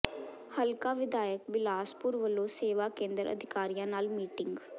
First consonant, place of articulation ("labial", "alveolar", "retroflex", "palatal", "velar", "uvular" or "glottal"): glottal